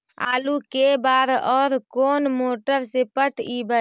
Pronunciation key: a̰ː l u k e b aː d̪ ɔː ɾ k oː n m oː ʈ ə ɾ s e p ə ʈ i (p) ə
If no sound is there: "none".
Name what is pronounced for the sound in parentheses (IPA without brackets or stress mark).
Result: b